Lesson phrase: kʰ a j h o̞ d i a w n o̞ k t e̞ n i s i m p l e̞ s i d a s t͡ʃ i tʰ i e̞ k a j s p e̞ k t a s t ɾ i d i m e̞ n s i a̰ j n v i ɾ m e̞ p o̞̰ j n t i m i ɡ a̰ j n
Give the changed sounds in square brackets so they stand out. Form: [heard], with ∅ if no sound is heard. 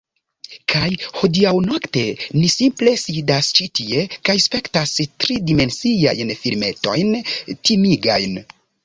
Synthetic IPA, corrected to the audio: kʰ a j h o̞ d i a w n o̞ k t e̞ n i s i m p l e̞ s i d a s t͡ʃ i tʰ i e̞ k a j s p e̞ k t a s t ɾ i d i m e̞ n s i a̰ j n [f] i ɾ m e̞ [t] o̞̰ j n t i m i ɡ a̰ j n